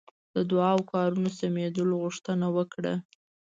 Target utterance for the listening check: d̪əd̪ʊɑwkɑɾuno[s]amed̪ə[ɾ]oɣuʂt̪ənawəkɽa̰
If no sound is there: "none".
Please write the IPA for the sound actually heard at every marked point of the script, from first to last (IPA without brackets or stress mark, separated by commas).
s, l